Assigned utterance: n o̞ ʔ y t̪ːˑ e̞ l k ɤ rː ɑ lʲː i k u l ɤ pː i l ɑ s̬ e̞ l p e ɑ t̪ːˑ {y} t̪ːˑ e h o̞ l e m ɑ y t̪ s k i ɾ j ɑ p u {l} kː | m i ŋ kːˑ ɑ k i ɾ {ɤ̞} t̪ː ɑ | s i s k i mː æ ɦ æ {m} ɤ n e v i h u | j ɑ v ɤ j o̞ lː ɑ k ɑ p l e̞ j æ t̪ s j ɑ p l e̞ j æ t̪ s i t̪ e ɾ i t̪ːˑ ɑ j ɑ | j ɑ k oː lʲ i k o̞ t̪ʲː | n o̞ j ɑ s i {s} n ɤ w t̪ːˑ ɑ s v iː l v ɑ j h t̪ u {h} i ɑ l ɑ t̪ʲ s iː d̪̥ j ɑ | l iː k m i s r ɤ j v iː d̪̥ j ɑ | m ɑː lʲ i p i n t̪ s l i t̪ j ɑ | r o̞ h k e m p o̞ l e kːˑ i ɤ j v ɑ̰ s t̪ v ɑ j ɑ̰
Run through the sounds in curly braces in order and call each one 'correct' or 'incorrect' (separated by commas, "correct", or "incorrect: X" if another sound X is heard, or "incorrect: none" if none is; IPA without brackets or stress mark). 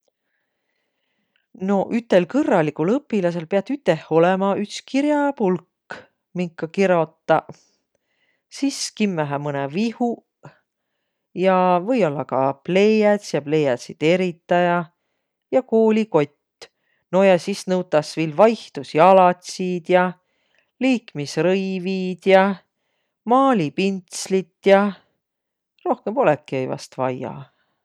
correct, correct, incorrect: o̞, correct, correct, incorrect: s